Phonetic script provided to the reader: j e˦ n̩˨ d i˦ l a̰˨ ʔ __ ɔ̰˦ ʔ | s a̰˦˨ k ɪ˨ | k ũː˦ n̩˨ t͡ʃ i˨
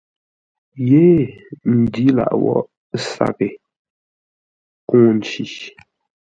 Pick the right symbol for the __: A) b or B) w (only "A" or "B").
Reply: B